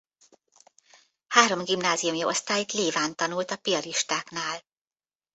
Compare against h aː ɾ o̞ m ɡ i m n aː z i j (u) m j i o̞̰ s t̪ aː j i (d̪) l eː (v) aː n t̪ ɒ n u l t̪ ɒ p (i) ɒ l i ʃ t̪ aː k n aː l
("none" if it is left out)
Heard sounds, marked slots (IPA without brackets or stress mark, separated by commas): u, t̪, v, i